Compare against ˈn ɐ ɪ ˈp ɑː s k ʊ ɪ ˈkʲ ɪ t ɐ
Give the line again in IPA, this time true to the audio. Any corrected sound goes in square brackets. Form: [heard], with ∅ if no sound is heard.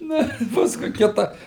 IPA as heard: ˈn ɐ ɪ ˈp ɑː s k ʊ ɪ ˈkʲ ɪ t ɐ

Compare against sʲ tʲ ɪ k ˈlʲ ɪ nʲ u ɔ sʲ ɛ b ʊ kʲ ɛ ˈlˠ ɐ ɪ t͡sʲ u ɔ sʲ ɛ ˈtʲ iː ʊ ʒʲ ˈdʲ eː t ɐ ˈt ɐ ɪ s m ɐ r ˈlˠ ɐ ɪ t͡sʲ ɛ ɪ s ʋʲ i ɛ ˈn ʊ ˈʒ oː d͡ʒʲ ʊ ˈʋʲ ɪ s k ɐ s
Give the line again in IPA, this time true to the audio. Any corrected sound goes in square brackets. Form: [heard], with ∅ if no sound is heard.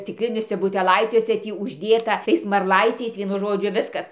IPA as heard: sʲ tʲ ɪ k ˈlʲ ɪ nʲ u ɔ sʲ ɛ b ʊ [tʲ] ɛ ˈlˠ ɐ ɪ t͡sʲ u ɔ sʲ ɛ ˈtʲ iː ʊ ʒʲ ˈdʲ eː t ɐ ˈt ɐ ɪ s m ɐ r ˈlˠ ɐ ɪ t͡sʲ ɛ ɪ s ʋʲ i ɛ ˈn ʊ ˈʒ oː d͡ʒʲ ʊ ˈʋʲ ɪ s k ɐ s

